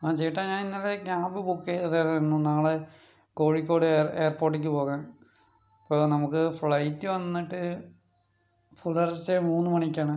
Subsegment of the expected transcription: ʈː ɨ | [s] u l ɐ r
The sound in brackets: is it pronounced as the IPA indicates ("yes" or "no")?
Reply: no